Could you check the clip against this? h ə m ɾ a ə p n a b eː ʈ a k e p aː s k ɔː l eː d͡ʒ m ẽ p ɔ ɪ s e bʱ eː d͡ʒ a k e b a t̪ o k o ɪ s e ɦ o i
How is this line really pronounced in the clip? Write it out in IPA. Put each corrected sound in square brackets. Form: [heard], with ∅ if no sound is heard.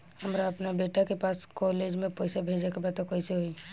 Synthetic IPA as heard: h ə m ɾ a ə p n a b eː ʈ a k e p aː s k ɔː l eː d͡ʒ m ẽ p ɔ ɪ s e bʱ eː d͡ʒ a k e b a t̪ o k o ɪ s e ɦ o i